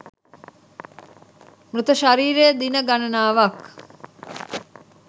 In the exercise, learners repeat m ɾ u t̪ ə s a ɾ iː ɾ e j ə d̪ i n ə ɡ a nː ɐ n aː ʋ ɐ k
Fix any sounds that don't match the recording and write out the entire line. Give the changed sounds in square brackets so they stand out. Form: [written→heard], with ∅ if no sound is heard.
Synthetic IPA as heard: m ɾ u t̪ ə [s→ʃ] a ɾ iː ɾ e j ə d̪ i n ə ɡ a [nː→n] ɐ n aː ʋ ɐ k